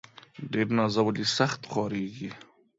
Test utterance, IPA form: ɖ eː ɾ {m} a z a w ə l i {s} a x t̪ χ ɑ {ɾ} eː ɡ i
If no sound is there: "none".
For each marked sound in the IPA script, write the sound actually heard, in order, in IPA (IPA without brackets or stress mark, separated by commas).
n, s, ɾ